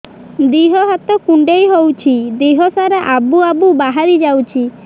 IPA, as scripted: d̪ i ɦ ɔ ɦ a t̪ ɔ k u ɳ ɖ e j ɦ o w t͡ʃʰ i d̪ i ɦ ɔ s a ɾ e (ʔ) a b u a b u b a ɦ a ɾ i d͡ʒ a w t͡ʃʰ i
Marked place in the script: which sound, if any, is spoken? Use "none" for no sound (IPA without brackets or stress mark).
ʔ